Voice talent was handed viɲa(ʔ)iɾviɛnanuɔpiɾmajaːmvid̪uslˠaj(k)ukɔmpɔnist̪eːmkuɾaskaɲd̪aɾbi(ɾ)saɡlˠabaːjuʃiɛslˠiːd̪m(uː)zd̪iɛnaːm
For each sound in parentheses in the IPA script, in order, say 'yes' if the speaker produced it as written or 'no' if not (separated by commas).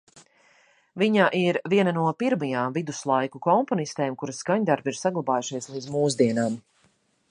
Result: yes, yes, yes, yes